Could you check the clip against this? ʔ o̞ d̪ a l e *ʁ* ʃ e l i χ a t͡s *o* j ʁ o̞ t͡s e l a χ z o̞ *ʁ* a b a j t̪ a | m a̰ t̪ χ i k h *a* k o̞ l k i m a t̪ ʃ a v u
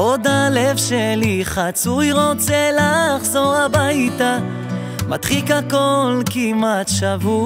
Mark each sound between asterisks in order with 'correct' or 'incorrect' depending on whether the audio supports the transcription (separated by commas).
incorrect, incorrect, correct, correct